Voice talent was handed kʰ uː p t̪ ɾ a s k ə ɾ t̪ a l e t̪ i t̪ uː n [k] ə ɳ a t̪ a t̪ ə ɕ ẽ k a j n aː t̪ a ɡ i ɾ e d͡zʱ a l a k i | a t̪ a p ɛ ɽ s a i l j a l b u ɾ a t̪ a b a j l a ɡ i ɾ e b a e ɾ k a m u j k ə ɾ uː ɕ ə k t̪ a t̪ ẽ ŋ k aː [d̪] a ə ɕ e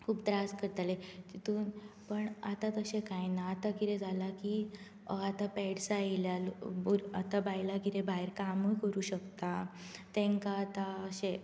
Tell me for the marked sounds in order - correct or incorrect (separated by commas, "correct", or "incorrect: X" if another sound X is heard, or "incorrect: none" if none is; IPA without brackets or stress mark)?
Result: incorrect: p, incorrect: t̪